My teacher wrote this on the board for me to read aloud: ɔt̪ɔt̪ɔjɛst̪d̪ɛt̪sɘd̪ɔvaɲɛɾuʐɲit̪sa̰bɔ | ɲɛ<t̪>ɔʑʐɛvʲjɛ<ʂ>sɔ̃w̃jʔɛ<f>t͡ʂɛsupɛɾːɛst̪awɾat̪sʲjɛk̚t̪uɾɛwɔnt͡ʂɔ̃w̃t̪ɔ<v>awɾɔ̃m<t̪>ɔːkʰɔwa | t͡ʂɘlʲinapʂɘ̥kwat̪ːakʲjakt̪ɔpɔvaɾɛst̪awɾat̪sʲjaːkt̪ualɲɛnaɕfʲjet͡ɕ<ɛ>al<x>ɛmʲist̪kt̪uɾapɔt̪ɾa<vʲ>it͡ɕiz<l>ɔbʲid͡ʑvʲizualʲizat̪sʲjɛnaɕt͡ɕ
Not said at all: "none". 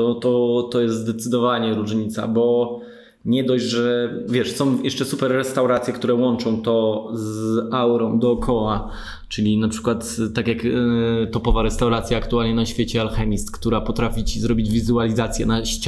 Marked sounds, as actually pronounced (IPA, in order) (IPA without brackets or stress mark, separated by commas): d̪, ʂ, ʂ, z, d̪, ɛ, x, fʲ, ɾ